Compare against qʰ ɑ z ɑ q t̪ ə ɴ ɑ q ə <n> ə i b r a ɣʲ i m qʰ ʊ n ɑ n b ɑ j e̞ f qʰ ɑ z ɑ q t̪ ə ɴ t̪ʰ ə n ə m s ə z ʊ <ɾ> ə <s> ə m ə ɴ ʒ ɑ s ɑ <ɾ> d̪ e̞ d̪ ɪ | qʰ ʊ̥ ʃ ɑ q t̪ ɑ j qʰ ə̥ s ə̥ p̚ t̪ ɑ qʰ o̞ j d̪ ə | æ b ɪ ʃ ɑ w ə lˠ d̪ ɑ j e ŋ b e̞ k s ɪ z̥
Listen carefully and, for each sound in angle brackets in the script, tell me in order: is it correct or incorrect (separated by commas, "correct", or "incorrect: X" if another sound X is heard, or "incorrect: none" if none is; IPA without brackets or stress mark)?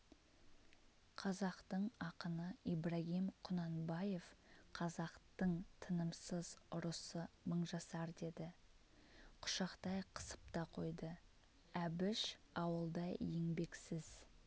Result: correct, correct, correct, correct